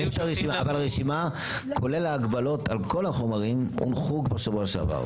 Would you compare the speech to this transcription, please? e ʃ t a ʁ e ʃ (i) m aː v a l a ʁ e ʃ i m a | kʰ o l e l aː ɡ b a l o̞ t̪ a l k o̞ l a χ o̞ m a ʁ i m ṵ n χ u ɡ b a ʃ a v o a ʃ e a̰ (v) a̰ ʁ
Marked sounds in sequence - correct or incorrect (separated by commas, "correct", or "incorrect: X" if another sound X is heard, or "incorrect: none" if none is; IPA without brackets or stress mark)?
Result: correct, correct